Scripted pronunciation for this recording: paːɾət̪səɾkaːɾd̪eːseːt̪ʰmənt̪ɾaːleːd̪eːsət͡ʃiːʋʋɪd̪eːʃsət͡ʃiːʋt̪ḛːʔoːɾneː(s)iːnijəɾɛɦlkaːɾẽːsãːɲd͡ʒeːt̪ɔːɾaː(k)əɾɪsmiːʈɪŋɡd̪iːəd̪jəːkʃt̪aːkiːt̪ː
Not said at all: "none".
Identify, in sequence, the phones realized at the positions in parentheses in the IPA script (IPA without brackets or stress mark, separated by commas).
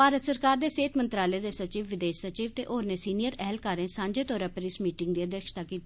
s, p